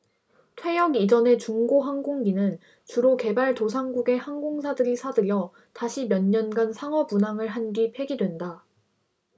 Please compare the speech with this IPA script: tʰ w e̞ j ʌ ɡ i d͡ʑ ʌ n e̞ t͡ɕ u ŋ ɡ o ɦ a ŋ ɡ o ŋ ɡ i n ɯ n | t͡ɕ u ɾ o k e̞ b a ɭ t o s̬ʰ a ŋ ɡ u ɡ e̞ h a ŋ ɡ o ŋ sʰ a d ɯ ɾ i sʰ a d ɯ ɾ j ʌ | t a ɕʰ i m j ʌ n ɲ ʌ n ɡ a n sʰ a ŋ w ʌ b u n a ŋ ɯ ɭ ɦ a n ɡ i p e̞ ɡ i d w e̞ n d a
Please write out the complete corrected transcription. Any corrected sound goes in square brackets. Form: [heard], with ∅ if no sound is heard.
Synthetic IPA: tʰ w e̞ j ʌ ɡ i d͡ʑ ʌ n e̞ t͡ɕ u ŋ ɡ o ɦ a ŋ ɡ o ŋ ɡ i n ɯ n | t͡ɕ u ɾ o k e̞ b a ɭ t o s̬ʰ a ŋ ɡ u ɡ e̞ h a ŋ ɡ o ŋ sʰ a d ɯ ɾ i sʰ a d ɯ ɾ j ʌ | t a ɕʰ i m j ʌ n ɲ ʌ n ɡ a n sʰ a ŋ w ʌ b u n a ŋ ɯ ɭ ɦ a n ɡ i [pʰ] e̞ ɡ i d w e̞ n d a